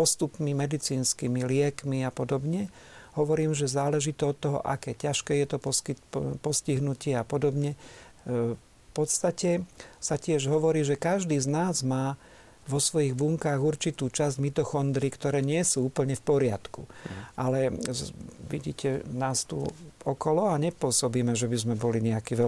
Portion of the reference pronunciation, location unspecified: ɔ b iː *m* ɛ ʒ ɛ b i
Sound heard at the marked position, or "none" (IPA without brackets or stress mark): m